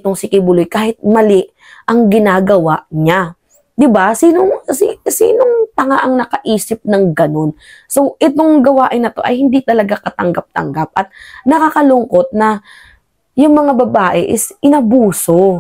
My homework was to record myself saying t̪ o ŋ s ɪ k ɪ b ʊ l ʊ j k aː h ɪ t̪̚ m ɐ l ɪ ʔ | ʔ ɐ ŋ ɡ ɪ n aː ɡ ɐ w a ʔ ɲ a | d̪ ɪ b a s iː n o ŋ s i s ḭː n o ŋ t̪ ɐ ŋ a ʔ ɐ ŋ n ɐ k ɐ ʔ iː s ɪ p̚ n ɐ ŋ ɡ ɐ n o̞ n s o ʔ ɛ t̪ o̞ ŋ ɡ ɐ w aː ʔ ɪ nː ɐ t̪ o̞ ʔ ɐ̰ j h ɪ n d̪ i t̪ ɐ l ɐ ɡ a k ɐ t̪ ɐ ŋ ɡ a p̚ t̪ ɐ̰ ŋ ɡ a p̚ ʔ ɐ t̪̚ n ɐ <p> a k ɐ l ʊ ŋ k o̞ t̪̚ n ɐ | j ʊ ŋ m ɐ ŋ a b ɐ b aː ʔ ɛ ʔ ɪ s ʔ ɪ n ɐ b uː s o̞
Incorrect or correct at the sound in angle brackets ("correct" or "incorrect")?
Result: incorrect